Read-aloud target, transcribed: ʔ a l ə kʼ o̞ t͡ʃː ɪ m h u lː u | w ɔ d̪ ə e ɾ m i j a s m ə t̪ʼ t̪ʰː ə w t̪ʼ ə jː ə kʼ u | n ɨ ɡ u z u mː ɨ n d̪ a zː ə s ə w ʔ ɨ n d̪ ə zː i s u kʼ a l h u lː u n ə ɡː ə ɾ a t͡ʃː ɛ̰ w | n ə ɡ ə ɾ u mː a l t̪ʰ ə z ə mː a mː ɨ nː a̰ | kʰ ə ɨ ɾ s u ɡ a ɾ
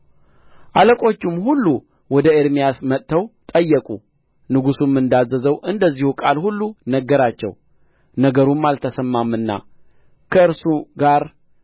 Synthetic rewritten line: ʔ a l ə kʼ o̞ t͡ʃː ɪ m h u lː u | w ɔ d̪ ə e ɾ m i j a s m ə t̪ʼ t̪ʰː ə w t̪ʼ ə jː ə kʼ u | n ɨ ɡ u s u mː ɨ n d̪ a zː ə z ə w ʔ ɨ n d̪ ə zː i h u kʼ a l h u lː u n ə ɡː ə ɾ a t͡ʃː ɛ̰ w | n ə ɡ ə ɾ u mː a l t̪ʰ ə s ə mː a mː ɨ nː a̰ | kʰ ə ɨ ɾ s u ɡ a ɾ